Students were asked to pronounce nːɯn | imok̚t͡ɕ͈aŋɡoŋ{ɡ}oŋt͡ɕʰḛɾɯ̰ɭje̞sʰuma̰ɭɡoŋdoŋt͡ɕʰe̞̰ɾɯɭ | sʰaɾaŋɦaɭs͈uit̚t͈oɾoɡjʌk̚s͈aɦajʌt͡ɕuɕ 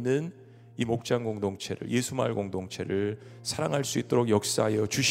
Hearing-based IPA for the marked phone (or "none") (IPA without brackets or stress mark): d